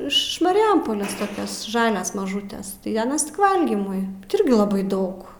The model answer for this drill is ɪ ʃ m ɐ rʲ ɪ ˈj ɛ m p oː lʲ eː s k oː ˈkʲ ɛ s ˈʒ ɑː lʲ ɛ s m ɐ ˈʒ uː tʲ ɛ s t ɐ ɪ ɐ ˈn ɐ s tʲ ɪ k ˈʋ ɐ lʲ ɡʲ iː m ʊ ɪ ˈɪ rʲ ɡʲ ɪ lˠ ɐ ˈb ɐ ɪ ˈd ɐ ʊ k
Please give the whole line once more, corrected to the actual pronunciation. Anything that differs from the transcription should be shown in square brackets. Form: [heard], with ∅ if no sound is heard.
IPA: ɪ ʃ m ɐ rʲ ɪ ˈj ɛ m p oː lʲ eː s [t] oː ˈkʲ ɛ s ˈʒ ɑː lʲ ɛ s m ɐ ˈʒ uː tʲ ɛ s t ɐ ɪ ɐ ˈn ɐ s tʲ ɪ k ˈʋ ɐ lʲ ɡʲ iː m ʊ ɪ ˈɪ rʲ ɡʲ ɪ lˠ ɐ ˈb ɐ ɪ ˈd ɐ ʊ k